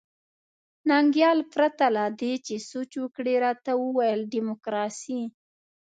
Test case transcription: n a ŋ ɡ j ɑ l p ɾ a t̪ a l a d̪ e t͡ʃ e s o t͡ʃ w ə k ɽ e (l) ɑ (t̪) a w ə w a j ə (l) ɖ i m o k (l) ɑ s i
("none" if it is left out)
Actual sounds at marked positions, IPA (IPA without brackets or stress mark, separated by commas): ɾ, t̪, l, ɾ